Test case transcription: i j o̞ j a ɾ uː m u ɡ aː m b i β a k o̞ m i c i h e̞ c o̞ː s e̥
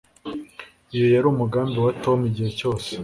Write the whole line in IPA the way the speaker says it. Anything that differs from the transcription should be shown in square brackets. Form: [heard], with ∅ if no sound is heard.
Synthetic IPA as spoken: i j o̞ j a ɾ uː m u ɡ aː m b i [w] a [t] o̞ m i [ɟ] i h e̞ c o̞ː s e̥